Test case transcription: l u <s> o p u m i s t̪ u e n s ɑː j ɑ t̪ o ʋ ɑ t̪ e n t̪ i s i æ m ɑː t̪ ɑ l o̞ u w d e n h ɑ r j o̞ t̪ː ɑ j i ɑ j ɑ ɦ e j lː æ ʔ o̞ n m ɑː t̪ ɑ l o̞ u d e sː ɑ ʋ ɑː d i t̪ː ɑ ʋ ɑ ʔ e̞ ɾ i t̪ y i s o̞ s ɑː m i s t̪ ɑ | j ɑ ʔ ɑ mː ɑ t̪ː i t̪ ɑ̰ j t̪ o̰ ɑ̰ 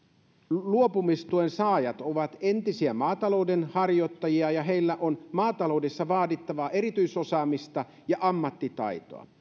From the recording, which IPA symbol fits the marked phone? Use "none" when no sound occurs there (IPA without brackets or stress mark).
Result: none